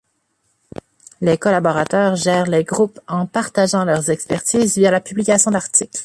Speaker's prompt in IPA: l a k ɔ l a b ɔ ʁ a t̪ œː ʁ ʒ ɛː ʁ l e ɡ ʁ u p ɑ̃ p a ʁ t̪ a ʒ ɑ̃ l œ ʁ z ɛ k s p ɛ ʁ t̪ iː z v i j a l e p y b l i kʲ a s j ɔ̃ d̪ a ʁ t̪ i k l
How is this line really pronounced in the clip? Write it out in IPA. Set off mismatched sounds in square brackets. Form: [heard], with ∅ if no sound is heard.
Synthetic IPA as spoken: l [e] k ɔ l a b ɔ ʁ a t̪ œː ʁ ʒ ɛː ʁ l e ɡ ʁ u p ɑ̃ p a ʁ t̪ a ʒ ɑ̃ l œ ʁ z ɛ k s p ɛ ʁ t̪ iː z v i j a l [a] p y b l i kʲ a s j ɔ̃ d̪ a ʁ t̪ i k l